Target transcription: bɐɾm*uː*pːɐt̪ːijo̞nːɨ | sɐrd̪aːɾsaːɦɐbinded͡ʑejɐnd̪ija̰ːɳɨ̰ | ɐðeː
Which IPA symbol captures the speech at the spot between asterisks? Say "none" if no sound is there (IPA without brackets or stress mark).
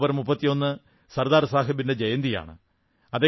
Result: u